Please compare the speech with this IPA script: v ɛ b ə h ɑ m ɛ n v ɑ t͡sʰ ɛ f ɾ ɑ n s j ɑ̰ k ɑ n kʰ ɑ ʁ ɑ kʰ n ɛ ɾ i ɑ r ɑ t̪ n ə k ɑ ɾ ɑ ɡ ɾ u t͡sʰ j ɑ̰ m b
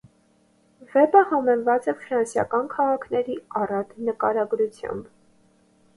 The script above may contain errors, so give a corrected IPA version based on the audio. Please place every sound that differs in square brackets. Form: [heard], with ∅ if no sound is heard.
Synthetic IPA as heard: v ɛ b ə h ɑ m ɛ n v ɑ [t͡s] ɛ f ɾ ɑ n s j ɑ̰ k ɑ n kʰ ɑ ʁ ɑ kʰ n ɛ ɾ i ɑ r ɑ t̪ n ə k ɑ ɾ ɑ ɡ ɾ u t͡sʰ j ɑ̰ m b